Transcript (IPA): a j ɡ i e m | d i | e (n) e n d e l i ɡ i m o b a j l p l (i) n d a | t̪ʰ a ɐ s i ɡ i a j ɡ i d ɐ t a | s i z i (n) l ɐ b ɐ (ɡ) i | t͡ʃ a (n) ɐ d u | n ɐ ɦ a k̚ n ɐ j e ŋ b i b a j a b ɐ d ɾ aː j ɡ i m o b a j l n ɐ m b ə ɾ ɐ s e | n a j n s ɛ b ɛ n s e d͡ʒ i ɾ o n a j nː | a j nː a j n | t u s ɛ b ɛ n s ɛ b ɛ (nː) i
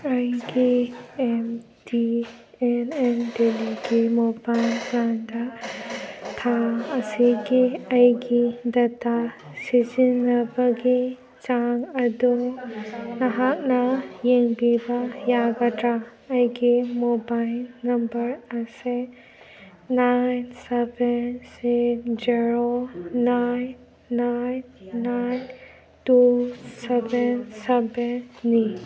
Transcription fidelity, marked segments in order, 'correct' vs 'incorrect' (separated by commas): correct, incorrect, correct, correct, incorrect, correct